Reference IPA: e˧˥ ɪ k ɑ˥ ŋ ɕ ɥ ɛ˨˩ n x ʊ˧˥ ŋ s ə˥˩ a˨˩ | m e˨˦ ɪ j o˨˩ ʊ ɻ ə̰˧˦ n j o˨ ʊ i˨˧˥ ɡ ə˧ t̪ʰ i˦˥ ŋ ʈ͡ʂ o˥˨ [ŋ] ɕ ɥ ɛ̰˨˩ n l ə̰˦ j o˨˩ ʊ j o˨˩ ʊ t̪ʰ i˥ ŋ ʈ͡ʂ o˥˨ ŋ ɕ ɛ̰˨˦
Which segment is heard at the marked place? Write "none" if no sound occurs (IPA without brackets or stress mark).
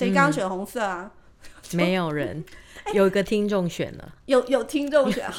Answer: ŋ